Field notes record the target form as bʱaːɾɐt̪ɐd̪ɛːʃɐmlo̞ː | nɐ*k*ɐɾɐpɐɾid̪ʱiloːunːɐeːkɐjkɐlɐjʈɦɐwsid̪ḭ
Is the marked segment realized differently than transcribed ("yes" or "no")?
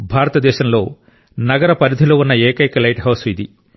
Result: yes